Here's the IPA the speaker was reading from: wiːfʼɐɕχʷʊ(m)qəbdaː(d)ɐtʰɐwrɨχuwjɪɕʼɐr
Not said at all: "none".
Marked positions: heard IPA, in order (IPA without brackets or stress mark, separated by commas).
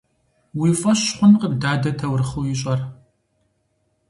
n, d